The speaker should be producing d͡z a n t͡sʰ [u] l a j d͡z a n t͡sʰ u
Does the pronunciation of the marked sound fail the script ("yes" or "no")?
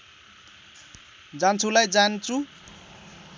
no